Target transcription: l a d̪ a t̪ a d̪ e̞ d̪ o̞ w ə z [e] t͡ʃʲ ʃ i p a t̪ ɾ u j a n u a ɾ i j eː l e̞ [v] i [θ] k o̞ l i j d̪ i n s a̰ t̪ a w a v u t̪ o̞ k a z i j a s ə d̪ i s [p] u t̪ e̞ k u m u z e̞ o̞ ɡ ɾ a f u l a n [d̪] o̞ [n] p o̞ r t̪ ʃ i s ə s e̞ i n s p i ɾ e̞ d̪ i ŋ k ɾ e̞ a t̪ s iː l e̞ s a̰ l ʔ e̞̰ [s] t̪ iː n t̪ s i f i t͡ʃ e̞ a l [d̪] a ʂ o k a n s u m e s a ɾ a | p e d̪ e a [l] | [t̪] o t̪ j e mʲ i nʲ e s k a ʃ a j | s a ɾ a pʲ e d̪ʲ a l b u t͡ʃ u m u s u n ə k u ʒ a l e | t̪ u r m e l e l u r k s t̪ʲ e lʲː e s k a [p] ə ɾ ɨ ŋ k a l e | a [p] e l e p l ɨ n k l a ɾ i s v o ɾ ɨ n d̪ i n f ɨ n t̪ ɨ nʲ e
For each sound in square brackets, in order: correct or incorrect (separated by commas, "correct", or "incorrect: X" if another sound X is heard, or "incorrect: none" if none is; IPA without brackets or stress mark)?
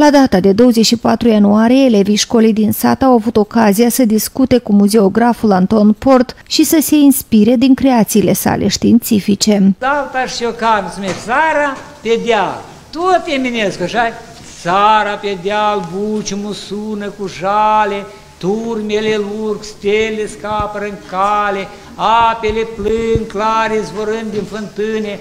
correct, correct, incorrect: ʃ, incorrect: k, incorrect: t̪, correct, incorrect: ʃ, incorrect: t̪, correct, correct, correct, correct